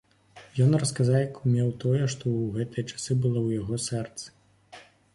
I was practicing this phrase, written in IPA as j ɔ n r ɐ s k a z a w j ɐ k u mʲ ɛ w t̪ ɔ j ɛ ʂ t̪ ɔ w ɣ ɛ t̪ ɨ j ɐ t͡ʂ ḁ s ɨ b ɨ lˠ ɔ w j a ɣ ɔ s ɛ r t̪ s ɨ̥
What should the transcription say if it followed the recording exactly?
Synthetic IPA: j ɔ n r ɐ s k a z a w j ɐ k u mʲ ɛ w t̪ ɔ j ɛ ʂ t̪ ɔ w ɣ ɛ t̪ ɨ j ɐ t͡ʂ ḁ s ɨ b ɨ lˠ ɔ w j a ɣ ɔ s ɛ r t̪ s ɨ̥